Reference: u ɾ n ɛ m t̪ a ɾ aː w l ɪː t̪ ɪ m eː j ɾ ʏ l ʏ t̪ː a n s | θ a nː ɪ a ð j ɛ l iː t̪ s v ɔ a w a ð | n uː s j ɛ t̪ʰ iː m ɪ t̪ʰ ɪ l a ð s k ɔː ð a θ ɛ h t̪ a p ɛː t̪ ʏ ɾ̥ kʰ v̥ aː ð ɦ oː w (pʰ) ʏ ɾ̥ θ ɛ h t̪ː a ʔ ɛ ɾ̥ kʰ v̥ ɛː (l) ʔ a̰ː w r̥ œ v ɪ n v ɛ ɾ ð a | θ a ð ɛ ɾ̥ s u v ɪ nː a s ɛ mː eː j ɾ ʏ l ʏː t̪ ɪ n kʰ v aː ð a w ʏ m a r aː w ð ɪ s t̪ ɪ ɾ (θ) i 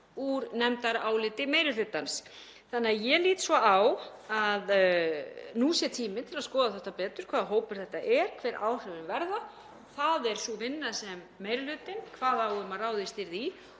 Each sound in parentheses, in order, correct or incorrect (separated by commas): incorrect, incorrect, incorrect